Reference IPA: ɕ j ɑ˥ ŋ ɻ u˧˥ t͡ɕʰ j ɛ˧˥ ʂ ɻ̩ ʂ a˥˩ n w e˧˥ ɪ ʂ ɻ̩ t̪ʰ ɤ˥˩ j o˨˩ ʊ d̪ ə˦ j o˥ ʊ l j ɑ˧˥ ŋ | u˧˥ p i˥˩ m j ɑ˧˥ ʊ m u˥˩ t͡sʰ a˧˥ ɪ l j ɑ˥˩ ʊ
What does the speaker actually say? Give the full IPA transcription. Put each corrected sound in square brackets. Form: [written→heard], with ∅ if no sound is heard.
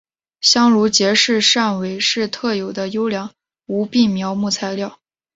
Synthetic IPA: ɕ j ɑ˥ ŋ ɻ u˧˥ [t͡ɕʰ→t͡ɕ] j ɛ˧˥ ʂ ɻ̩ ʂ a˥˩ n w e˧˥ ɪ ʂ ɻ̩ t̪ʰ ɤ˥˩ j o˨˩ ʊ d̪ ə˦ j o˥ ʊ l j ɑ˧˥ ŋ | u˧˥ p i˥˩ m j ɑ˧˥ ʊ m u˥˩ t͡sʰ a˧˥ ɪ l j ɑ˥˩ ʊ